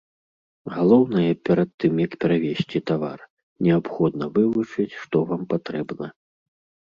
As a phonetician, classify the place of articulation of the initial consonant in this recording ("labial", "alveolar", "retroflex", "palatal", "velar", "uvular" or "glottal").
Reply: velar